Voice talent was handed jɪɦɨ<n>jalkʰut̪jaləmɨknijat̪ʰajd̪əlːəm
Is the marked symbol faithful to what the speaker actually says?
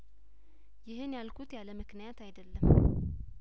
yes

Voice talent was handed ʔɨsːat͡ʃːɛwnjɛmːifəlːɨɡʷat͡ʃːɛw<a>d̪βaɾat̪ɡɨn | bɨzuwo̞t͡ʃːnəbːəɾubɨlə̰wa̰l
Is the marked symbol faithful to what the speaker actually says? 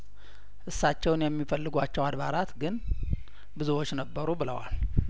yes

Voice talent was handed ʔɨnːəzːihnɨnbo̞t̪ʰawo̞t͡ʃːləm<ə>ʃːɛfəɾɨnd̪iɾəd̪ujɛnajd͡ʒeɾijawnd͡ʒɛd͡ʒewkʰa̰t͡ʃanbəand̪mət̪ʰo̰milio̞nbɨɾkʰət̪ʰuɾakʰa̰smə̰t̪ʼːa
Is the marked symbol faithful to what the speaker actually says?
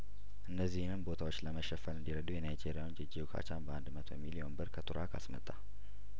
yes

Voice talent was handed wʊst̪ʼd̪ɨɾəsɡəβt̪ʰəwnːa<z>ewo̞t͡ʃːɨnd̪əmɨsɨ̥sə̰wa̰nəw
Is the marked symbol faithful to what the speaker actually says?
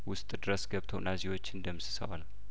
yes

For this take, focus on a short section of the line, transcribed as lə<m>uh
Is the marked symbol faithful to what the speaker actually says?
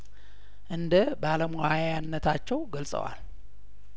yes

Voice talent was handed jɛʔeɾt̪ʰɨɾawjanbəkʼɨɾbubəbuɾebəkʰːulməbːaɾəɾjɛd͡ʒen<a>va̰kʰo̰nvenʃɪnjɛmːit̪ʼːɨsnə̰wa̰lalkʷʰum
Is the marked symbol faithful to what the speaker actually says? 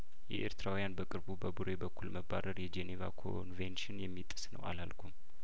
no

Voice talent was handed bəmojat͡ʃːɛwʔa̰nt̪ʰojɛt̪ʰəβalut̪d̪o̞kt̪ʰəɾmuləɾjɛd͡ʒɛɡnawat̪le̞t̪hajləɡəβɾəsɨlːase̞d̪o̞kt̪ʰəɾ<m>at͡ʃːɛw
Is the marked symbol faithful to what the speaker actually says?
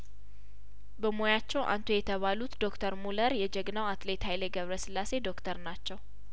no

